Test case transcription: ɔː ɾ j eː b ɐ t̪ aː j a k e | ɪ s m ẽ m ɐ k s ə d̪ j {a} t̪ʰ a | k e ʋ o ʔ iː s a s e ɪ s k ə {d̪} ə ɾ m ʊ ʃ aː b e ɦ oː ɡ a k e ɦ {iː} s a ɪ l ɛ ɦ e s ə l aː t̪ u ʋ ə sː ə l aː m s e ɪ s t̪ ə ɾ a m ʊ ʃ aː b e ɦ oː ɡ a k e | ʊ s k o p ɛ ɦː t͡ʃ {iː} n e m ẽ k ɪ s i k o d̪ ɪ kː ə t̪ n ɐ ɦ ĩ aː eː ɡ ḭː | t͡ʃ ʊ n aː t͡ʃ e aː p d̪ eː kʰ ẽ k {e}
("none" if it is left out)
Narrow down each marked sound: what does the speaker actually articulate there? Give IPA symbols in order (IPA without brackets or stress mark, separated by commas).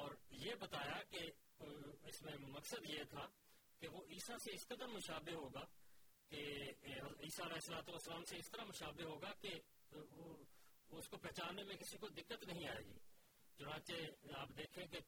e, d̪, iː, aː, e